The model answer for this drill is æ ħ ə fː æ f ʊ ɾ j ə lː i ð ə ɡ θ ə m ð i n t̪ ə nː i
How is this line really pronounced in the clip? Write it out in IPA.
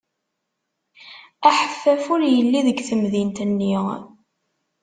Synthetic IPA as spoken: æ ħ ə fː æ f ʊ ɾ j ə lː i ð ə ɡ θ ə m ð i n t̪ ə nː i

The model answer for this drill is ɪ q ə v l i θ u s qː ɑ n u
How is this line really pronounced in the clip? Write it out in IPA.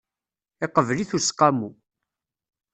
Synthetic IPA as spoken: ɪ q ə v l i θ u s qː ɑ m u

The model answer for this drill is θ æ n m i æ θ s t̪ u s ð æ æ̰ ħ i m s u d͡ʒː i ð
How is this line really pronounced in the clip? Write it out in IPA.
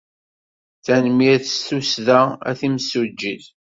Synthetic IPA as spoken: θ æ n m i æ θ s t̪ u s ð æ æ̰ θ i m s u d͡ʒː i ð

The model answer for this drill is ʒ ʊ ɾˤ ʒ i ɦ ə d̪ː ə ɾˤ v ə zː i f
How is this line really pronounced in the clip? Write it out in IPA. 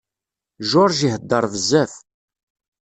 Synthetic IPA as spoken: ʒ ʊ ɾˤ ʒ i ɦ ə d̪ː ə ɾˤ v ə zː æ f

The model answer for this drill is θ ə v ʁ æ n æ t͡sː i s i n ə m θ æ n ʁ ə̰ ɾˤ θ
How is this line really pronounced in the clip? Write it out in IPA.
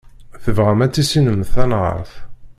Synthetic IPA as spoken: θ ə v ʁ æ m æ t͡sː i s i n ə m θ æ n ʁ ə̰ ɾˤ θ

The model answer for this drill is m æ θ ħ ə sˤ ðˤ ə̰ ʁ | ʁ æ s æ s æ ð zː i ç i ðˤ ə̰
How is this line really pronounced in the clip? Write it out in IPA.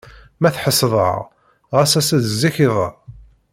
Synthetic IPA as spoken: m æ θ ħ ə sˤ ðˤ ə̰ ʁ | ʁ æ s æ s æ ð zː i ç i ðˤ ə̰

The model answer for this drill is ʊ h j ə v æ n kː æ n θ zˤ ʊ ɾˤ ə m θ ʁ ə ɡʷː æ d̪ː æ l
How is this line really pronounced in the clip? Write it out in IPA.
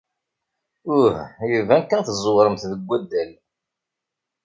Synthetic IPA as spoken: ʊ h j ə v æ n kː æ n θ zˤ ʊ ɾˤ ə m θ ð ə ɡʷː æ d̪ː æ l

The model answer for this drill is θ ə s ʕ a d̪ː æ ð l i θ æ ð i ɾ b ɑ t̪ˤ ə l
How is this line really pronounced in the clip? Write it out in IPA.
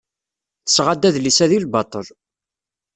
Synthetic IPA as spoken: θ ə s ʁ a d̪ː æ ð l i s æ ð i l b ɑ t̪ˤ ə l

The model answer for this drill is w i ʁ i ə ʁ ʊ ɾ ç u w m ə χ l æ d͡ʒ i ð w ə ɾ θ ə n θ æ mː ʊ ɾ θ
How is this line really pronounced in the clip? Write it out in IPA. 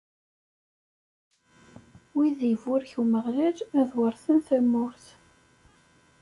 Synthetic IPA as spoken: w i ð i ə v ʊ ɾ ç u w m ə ʁ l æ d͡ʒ æ ð w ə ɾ θ ə n θ æ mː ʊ ɾ θ

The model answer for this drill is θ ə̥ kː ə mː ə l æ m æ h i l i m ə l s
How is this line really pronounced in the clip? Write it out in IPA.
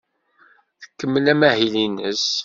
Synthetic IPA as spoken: θ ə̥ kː ə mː ə l æ m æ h i l i n ə s

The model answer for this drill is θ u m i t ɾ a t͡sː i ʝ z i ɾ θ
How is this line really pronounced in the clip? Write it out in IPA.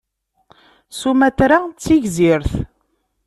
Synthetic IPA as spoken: s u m æ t ɾ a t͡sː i ʝ z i ɾ θ

